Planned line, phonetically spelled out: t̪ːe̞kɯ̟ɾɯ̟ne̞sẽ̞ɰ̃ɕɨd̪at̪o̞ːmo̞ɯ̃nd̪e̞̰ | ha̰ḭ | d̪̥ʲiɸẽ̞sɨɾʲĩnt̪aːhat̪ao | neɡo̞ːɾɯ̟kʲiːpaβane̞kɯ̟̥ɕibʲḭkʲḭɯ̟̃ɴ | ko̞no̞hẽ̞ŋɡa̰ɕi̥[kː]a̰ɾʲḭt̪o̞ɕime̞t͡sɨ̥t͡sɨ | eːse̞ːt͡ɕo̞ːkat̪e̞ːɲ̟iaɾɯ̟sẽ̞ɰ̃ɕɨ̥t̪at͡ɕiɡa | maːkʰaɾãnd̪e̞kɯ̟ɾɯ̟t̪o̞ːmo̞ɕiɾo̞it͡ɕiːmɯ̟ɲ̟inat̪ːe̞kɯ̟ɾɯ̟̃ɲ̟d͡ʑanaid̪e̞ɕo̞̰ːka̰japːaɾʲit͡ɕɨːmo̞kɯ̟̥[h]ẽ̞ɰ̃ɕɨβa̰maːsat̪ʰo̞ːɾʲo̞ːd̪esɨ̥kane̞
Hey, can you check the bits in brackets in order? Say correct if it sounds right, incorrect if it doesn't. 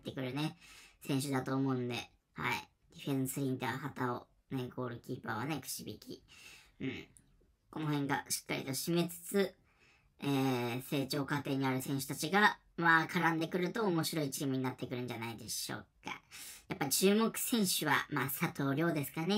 correct, incorrect: s

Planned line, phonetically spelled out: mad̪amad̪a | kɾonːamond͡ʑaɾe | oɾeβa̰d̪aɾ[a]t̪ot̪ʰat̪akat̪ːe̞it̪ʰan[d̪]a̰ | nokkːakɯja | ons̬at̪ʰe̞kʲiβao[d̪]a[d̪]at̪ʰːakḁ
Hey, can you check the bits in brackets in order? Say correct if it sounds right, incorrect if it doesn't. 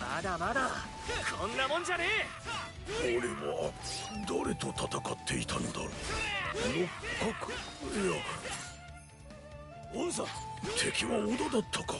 incorrect: e, correct, correct, correct

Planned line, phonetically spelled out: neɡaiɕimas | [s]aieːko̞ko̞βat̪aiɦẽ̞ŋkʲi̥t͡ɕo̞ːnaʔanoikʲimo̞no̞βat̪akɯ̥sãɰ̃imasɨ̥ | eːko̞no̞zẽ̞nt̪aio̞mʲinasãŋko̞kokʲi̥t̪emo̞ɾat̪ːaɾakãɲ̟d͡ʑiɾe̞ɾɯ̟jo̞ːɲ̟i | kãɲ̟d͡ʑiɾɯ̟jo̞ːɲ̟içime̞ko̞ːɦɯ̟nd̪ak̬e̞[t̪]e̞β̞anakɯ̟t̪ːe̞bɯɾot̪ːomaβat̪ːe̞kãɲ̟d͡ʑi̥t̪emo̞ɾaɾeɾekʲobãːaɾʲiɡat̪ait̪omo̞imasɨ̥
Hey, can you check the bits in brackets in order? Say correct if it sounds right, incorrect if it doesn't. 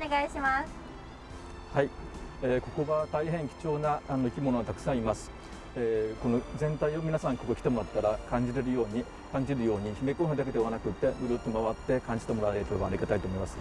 incorrect: h, incorrect: d̪

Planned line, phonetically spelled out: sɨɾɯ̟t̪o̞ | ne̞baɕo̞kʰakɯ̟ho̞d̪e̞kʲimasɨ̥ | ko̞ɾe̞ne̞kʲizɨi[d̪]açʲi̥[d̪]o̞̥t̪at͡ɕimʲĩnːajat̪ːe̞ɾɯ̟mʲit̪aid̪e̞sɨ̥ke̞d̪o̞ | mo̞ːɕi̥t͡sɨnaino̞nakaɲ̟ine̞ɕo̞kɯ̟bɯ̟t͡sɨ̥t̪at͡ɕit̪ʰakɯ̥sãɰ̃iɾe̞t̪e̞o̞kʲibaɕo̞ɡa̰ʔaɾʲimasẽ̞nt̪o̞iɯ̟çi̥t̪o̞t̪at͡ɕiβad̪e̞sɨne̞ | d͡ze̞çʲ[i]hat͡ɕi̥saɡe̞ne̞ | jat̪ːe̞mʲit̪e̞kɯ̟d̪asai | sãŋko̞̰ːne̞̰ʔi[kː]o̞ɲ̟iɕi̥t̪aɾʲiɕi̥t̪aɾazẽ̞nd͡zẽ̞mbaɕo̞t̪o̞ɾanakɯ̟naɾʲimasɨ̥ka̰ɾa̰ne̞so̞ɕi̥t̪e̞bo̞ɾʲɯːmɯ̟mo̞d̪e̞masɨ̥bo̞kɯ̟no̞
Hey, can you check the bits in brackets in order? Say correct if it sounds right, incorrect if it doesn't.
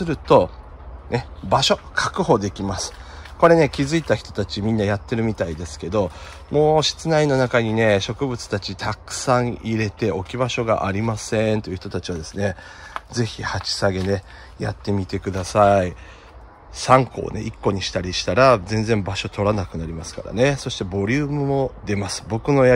incorrect: t̪, incorrect: t̪, correct, correct

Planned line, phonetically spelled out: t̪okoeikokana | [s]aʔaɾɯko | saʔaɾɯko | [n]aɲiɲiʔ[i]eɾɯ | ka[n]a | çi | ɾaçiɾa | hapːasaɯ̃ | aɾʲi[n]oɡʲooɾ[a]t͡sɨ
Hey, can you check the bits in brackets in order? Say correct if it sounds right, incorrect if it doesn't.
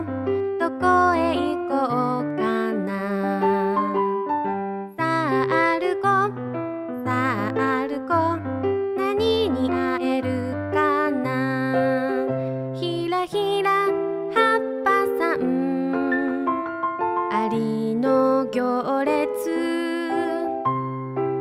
correct, correct, incorrect: a, correct, correct, incorrect: e

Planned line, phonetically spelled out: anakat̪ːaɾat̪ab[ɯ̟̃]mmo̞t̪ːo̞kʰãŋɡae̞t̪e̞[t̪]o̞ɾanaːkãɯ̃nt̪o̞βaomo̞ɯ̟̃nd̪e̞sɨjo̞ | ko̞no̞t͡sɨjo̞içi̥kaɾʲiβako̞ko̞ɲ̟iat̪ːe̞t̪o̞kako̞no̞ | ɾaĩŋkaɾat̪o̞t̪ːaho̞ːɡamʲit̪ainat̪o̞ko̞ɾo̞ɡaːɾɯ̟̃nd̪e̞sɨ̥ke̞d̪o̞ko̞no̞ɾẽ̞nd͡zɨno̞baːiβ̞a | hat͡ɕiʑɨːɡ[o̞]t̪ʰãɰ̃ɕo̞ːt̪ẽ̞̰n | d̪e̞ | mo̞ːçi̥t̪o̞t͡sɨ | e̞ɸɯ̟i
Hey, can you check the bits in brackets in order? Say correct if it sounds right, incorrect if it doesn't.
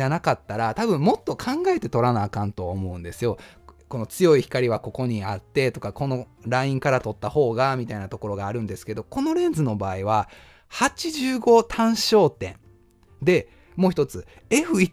correct, correct, correct

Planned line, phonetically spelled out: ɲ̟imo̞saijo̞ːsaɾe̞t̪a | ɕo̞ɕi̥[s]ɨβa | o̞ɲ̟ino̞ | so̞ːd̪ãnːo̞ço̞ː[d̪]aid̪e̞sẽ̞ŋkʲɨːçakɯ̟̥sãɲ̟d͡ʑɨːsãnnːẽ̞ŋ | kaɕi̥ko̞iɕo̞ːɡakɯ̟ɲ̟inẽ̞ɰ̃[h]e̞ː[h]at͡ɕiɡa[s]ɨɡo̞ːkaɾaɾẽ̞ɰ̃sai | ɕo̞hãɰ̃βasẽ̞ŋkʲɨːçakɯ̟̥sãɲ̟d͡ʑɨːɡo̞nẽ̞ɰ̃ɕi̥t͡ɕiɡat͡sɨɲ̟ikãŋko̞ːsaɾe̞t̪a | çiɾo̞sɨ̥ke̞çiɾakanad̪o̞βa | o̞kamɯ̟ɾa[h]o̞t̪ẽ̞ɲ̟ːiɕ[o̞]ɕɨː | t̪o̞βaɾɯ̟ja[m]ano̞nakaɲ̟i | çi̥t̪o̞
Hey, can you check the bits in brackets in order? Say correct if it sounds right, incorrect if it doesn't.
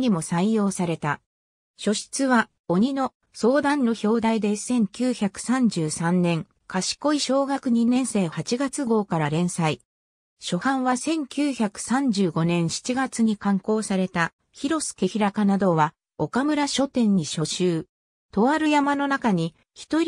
incorrect: t͡s, correct, incorrect: s, correct, incorrect: t͡s, incorrect: ɕ, correct, correct

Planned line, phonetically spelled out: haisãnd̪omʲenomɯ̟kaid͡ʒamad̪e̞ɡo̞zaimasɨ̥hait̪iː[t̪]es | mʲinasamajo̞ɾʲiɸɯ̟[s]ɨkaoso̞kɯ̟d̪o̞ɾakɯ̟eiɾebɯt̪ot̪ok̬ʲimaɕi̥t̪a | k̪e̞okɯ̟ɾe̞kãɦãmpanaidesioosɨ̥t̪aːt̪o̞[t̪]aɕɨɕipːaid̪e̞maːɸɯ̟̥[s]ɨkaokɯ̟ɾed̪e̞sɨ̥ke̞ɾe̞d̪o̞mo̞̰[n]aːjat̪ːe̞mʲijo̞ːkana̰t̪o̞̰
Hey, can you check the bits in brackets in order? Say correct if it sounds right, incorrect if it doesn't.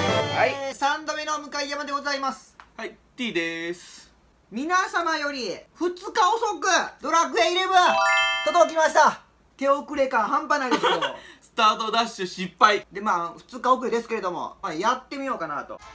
incorrect: d̪, incorrect: t͡s, incorrect: d̪, incorrect: t͡s, incorrect: m

